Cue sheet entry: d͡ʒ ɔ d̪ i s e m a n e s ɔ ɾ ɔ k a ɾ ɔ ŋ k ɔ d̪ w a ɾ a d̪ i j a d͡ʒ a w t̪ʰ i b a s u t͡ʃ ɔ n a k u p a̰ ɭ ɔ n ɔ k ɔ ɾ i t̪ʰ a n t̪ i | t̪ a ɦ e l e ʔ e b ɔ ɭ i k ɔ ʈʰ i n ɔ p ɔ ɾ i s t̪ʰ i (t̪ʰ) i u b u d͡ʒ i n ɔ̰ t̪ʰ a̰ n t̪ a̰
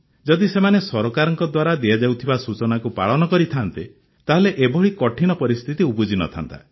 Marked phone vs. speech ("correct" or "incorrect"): incorrect